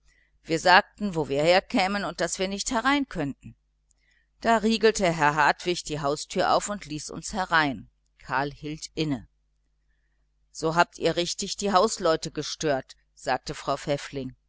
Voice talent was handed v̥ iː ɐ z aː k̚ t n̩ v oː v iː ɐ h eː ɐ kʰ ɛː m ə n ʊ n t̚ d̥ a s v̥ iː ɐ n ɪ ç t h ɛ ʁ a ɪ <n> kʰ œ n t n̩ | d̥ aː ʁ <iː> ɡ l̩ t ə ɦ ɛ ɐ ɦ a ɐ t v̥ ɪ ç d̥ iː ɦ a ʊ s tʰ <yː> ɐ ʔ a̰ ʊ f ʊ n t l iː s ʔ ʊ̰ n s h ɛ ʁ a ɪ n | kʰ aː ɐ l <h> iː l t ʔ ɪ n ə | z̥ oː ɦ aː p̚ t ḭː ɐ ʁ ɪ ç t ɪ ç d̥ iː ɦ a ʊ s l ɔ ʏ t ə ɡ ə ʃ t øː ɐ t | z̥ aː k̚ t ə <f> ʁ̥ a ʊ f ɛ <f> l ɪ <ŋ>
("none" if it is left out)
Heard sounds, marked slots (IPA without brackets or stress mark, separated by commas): n, iː, yː, h, f, f, ŋ